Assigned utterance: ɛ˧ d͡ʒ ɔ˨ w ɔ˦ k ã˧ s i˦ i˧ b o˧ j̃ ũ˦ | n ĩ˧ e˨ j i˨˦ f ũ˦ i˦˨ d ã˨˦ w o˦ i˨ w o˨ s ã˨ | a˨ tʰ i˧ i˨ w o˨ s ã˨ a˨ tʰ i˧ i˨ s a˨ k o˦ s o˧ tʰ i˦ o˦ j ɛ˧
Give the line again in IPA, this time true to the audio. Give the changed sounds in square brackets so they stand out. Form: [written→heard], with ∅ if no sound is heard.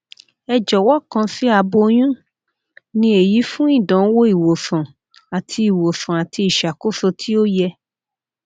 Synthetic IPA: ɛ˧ d͡ʒ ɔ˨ w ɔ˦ k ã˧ s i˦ [i˧→a˧] b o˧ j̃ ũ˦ | n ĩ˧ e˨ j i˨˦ f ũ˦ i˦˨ d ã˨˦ w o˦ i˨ w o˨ s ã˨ | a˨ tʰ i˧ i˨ w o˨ s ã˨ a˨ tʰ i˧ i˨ [s→ʃ] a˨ k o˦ s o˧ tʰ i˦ o˦ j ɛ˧

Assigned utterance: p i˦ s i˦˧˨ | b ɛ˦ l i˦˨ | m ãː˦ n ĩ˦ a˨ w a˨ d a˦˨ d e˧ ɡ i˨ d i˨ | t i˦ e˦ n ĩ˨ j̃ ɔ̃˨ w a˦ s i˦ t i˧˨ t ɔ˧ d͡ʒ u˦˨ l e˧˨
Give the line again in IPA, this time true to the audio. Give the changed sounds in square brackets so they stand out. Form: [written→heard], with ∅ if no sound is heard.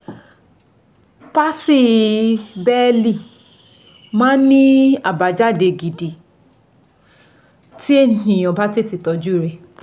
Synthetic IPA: p [i˦→a˦] s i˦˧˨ | b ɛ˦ l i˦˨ | m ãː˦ n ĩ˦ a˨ [w→b] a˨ [d→d͡ʒ] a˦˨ d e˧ ɡ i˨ d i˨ | t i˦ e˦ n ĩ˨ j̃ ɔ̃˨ [w→b] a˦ [s→t] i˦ t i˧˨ t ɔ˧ d͡ʒ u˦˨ [l→ɾ] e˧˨

